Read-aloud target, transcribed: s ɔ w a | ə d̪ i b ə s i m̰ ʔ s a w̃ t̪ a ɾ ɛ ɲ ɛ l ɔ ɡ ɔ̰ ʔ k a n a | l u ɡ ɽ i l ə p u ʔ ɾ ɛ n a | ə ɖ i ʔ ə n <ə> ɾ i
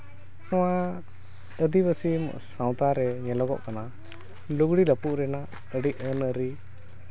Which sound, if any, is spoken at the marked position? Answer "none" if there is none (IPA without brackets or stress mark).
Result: ə